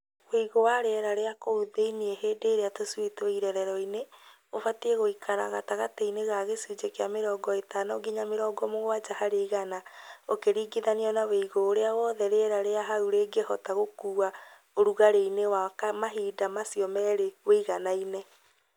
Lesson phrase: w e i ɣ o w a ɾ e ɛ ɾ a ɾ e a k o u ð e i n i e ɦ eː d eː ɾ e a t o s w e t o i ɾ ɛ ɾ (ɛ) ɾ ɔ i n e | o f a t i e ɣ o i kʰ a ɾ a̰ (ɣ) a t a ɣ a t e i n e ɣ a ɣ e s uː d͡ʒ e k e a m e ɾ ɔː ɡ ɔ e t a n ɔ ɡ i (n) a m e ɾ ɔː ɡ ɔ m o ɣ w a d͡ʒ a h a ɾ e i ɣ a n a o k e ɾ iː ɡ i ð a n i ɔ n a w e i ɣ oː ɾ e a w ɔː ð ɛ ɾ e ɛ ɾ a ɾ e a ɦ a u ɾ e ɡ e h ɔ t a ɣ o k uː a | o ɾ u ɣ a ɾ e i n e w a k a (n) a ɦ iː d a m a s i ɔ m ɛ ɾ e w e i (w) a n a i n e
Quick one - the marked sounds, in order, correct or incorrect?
correct, correct, incorrect: ɲ, incorrect: m, incorrect: ɣ

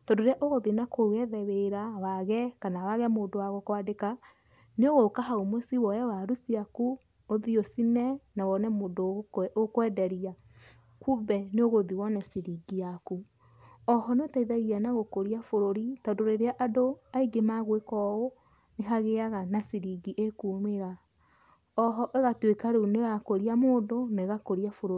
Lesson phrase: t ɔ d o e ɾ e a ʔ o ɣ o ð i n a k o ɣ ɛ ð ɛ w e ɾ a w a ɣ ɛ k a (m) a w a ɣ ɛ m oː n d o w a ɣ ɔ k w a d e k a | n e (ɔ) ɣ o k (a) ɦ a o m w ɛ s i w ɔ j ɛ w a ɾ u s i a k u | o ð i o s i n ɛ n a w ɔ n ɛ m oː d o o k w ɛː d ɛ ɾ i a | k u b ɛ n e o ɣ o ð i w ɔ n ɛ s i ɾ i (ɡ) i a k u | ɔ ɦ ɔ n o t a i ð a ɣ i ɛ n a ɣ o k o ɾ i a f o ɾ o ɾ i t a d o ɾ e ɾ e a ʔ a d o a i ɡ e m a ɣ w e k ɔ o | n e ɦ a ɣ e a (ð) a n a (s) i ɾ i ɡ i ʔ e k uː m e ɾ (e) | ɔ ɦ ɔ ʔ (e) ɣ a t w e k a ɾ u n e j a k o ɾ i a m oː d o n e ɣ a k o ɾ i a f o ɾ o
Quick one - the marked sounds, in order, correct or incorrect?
incorrect: n, incorrect: o, correct, correct, incorrect: ɣ, correct, incorrect: a, correct

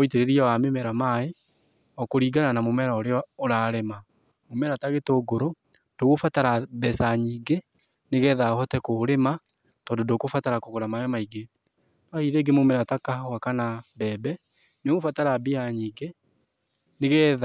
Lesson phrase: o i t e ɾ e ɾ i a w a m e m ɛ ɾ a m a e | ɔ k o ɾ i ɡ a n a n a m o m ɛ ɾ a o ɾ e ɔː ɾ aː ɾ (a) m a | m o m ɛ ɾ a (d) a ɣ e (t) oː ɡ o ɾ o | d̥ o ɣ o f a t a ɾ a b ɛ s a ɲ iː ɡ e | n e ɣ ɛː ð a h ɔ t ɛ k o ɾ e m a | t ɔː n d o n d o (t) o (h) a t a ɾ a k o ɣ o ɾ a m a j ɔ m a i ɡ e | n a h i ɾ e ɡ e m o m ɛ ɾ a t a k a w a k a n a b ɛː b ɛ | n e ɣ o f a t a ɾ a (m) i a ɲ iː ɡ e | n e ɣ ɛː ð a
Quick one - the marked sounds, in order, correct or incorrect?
incorrect: e, incorrect: t, correct, incorrect: k, incorrect: f, incorrect: b

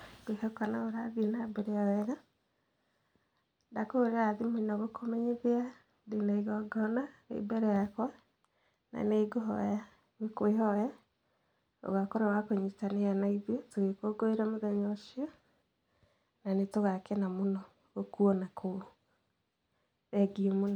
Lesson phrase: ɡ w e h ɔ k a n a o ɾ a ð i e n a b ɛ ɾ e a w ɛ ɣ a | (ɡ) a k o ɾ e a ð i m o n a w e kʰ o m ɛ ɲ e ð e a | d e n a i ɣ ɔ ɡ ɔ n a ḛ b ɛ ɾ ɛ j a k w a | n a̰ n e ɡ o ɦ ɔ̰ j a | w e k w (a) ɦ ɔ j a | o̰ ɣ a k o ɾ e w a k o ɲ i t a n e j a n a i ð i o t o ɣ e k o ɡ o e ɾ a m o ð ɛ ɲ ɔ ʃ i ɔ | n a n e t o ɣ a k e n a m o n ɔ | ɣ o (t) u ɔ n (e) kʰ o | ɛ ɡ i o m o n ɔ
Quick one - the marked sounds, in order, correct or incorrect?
incorrect: d, incorrect: e, incorrect: k, incorrect: a

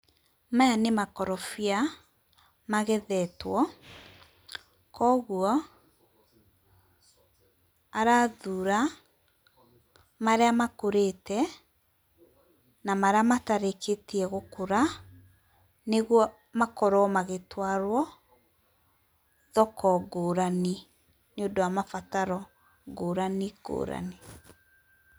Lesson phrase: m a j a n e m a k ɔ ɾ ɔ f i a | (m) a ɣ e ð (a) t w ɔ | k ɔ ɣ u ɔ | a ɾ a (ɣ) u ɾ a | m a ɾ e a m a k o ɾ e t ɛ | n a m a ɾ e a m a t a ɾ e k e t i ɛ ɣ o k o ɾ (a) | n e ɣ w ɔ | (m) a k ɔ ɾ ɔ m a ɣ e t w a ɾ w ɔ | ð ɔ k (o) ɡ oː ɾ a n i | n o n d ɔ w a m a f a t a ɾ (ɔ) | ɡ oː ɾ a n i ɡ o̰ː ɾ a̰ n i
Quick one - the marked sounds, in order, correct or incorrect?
correct, incorrect: ɛ, incorrect: ð, correct, correct, incorrect: ɔ, correct

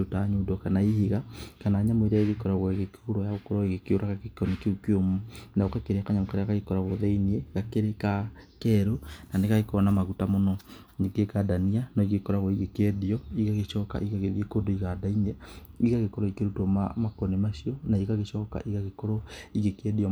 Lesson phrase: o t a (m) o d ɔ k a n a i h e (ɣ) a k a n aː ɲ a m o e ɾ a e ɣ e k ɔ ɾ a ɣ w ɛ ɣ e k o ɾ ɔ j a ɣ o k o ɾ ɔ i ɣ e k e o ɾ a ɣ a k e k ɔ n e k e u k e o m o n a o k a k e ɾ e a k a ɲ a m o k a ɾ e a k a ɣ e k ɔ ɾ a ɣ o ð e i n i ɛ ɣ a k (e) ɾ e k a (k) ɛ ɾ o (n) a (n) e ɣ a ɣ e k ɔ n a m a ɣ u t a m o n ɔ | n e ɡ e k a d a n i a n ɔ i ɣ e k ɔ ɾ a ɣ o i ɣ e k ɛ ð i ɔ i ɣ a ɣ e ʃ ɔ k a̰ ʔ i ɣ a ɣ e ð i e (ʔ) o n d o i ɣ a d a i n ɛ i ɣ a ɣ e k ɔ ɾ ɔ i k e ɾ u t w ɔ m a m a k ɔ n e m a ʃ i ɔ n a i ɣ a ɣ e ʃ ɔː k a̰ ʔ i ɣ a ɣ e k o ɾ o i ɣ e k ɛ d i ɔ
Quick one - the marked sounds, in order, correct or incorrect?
incorrect: ɲ, correct, correct, correct, correct, correct, incorrect: k

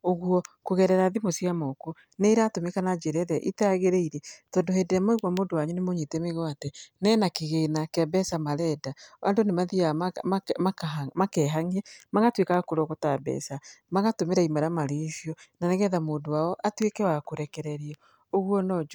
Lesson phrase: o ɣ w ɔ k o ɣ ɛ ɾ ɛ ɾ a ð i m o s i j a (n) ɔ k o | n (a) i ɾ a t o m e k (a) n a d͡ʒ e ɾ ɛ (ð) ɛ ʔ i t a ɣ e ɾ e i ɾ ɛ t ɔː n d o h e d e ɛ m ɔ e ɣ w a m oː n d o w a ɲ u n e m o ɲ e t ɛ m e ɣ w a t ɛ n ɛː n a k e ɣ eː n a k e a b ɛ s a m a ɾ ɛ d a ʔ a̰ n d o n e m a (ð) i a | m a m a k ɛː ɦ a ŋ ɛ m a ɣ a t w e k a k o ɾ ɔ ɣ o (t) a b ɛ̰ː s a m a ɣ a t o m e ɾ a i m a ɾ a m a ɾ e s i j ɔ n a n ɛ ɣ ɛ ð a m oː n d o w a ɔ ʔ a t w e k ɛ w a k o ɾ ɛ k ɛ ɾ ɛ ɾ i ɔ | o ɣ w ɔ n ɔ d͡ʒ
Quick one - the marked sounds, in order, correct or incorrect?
incorrect: m, incorrect: e, correct, correct, correct, correct

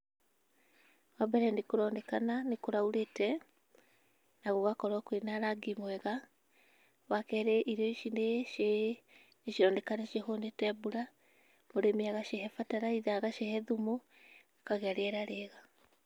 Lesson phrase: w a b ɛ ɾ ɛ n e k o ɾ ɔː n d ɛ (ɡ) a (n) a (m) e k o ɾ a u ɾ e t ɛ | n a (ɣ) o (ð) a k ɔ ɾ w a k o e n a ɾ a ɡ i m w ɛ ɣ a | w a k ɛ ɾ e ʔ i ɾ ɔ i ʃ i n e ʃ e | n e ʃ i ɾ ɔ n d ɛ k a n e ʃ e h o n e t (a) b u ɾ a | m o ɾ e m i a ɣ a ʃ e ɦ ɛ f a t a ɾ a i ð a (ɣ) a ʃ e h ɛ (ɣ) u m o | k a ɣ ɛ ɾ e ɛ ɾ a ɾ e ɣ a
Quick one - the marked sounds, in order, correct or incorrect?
incorrect: k, correct, incorrect: n, correct, incorrect: ɣ, incorrect: ɛ, correct, incorrect: ð

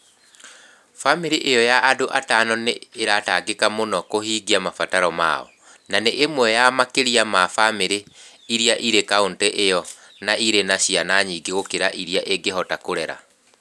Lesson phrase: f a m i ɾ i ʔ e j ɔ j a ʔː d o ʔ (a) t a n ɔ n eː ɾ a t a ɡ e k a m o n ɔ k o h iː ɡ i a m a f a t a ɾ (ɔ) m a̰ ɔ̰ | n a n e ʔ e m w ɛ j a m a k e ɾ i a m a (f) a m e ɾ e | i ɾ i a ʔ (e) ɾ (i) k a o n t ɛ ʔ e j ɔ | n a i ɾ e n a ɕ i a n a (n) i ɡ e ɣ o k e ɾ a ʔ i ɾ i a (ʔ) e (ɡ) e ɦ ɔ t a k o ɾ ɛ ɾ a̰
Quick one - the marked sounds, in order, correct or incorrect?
correct, correct, correct, incorrect: i, incorrect: e, incorrect: ɲ, correct, correct

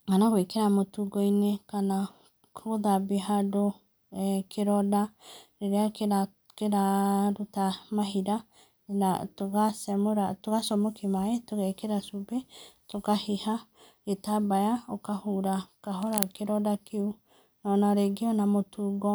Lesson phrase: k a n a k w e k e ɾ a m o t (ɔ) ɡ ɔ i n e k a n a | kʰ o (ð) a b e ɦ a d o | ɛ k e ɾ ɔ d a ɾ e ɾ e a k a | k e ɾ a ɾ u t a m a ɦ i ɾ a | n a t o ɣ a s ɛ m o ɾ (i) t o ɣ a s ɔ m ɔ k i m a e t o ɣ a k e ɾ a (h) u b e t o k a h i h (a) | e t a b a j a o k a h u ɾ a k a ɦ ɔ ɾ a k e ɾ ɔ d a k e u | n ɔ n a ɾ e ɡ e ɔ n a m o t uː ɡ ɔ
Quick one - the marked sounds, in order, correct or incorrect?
incorrect: u, correct, incorrect: a, incorrect: s, correct

